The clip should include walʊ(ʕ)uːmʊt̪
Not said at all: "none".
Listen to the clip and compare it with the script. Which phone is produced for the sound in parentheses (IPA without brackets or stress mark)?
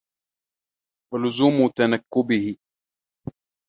z